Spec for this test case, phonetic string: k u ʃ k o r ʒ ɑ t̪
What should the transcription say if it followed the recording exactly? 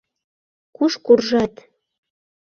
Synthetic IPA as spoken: k u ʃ k u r ʒ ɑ t̪